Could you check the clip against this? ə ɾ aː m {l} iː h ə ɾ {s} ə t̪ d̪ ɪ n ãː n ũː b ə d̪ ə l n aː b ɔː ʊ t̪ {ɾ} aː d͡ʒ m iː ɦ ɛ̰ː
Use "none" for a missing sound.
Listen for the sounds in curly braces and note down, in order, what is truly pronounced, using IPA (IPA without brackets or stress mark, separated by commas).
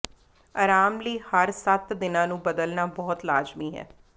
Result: l, s, l